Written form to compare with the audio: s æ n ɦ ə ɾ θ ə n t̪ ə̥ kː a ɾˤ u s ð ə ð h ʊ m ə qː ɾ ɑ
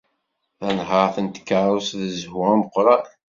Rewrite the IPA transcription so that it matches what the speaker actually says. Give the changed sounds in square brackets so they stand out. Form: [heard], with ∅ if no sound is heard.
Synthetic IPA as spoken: [θ] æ n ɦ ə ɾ θ ə n t̪ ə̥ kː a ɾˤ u s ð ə [z] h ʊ m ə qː ɾ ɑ

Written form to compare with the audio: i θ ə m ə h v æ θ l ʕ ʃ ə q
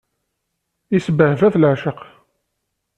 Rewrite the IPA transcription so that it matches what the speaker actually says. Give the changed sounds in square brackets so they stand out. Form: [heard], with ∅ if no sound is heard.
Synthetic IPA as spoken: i [s] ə [b] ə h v æ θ l ʕ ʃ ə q

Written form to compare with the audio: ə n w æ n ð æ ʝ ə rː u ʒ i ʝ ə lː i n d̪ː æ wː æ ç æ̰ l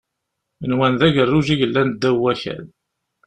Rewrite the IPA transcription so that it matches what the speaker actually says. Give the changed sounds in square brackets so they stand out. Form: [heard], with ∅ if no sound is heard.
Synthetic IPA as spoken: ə n w æ n ð æ ʝ ə rː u ʒ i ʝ ə lː [æ] n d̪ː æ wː æ ç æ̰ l

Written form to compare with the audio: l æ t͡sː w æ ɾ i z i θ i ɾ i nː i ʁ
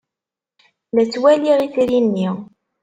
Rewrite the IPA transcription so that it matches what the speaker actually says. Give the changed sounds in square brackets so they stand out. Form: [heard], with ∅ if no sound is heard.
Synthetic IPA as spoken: l æ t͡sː w æ [l] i [ʁ] i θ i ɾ i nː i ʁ

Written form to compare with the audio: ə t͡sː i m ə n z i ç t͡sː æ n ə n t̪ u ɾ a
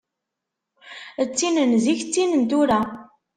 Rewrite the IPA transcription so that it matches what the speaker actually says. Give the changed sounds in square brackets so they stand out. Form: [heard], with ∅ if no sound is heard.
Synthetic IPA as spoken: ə t͡sː i [n] ə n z i ç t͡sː [i] n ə n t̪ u ɾ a

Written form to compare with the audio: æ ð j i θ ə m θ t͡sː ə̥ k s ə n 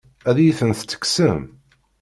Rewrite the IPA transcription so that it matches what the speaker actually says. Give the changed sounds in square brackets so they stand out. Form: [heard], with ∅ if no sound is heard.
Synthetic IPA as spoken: æ ð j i θ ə [n] θ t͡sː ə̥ k s ə [m]

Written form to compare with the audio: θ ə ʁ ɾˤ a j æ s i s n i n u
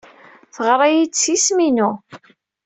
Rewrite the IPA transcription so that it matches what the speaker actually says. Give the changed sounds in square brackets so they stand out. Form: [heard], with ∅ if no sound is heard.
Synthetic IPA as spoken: θ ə ʁ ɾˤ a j [i] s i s [m] i n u

